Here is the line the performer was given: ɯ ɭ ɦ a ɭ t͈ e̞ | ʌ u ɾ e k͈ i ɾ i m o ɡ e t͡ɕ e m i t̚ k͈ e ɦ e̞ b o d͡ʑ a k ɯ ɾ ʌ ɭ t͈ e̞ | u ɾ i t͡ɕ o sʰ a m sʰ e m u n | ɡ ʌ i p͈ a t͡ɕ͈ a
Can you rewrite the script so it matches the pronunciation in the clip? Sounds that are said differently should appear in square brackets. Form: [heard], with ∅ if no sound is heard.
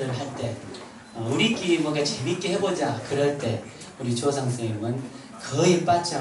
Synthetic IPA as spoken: ɯ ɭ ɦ a ɭ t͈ e̞ | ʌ u ɾ [i] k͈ i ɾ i m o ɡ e t͡ɕ e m i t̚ k͈ e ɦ e̞ b o d͡ʑ a k ɯ ɾ ʌ ɭ t͈ e̞ | u ɾ i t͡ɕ o sʰ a [ŋ] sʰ e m [ɯ] n | [k] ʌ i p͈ a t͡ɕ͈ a